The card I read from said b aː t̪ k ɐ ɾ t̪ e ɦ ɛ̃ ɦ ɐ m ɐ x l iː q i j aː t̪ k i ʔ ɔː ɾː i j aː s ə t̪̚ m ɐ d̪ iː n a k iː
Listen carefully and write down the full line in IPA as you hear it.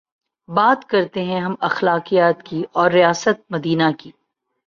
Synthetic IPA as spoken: b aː t̪ k ɐ ɾ t̪ e ɦ ɛ̃ ɦ ɐ m ɐ x l aː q i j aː t̪ k i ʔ ɔː ɾː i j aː s ə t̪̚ m ɐ d̪ iː n a k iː